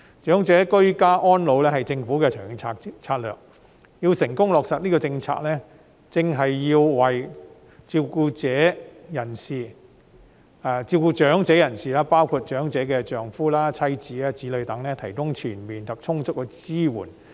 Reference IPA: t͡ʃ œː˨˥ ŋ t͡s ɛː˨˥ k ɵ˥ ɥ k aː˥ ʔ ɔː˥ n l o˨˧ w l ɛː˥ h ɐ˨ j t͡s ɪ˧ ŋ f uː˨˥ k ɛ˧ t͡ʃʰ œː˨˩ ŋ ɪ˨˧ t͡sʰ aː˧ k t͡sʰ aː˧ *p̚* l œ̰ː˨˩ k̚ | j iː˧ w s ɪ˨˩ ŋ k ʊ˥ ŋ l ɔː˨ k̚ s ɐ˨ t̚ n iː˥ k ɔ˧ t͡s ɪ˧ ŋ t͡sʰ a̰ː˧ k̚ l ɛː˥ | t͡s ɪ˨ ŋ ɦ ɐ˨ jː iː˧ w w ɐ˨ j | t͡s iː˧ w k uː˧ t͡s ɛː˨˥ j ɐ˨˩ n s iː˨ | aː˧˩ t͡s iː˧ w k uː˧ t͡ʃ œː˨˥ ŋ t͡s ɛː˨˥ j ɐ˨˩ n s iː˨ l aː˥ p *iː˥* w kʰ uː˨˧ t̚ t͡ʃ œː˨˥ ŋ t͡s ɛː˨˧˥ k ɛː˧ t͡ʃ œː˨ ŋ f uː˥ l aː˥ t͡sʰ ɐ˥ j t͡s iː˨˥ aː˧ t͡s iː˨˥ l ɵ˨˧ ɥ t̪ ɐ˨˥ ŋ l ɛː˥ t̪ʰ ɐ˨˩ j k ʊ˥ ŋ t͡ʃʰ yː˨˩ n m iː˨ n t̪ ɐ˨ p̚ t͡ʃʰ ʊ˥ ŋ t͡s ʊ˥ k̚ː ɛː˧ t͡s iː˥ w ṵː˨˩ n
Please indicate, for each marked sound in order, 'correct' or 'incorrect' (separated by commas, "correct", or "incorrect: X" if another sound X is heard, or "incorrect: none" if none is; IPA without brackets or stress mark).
incorrect: t̚, incorrect: aː˥